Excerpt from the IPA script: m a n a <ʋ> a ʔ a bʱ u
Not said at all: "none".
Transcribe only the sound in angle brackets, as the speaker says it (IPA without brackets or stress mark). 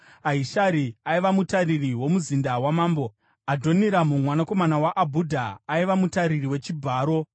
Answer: w